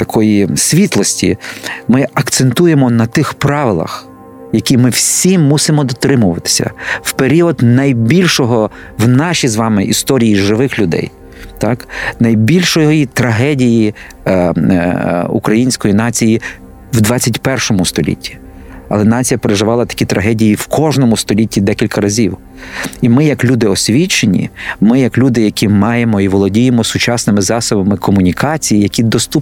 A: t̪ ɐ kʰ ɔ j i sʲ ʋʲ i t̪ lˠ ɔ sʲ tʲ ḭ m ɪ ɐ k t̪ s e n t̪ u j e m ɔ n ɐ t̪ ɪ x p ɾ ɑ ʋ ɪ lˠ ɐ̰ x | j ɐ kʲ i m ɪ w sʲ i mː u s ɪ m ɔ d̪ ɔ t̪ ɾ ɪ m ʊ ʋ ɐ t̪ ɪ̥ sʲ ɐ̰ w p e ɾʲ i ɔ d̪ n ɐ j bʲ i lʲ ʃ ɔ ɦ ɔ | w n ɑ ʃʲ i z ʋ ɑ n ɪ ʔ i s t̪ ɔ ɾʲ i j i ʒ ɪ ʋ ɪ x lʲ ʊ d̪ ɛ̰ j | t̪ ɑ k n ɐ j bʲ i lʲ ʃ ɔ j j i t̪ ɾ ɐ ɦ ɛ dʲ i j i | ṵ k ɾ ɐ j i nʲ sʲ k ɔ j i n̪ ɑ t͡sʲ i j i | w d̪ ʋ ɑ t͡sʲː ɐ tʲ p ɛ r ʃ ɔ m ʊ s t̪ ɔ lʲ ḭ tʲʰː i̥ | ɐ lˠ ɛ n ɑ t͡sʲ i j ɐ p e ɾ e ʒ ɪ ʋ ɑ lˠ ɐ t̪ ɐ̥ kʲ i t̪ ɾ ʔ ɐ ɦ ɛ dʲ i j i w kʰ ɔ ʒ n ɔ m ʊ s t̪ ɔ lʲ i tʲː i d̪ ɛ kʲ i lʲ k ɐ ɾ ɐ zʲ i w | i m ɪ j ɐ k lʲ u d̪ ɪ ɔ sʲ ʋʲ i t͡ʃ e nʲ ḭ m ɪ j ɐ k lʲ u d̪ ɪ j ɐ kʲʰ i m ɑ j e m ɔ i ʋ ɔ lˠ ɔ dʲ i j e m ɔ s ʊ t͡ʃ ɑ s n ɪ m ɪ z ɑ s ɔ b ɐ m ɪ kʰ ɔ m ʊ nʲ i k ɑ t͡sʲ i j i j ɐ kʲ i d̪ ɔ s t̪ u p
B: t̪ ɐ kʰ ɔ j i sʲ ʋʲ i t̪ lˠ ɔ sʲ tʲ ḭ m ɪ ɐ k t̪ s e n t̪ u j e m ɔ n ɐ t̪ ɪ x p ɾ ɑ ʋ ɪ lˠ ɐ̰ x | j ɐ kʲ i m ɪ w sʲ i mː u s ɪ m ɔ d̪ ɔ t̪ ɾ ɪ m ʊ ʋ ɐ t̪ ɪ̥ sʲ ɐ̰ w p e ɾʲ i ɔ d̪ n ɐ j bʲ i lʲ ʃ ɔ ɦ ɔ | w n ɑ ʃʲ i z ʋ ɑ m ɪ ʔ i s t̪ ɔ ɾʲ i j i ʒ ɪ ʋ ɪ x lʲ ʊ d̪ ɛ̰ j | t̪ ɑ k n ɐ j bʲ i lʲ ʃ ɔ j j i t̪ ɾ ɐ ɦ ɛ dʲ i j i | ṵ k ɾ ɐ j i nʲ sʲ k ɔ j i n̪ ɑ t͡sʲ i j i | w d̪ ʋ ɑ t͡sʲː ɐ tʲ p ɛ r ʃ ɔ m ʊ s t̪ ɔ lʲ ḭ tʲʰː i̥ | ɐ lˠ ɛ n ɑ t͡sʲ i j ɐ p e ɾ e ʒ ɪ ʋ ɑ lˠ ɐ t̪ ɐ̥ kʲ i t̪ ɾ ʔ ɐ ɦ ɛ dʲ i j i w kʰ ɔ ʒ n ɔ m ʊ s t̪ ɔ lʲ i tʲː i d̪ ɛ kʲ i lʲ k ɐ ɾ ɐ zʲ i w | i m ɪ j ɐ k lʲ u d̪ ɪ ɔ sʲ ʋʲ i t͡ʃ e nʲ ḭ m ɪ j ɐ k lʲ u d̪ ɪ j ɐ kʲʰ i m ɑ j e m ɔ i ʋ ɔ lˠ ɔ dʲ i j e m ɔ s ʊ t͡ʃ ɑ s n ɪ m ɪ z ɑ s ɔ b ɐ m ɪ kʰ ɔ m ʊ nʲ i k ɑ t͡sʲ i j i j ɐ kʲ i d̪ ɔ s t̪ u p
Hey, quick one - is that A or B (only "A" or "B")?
B